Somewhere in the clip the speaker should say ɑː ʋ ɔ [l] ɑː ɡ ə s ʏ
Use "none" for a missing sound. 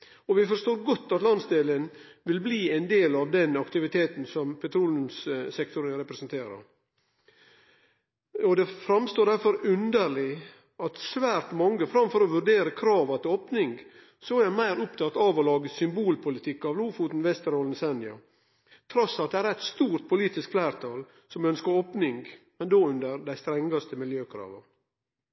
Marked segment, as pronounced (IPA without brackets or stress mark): l